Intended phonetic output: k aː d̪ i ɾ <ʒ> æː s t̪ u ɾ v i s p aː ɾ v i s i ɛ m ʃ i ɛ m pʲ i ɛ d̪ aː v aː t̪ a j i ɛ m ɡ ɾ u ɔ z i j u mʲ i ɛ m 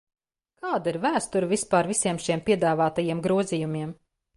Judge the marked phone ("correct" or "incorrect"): incorrect